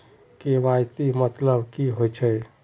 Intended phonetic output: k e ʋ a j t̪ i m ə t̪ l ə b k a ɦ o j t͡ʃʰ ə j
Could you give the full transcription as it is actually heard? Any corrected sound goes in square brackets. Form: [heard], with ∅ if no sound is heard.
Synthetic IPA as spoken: k e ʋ a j t̪ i m ə t̪ l ə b k [i] ɦ o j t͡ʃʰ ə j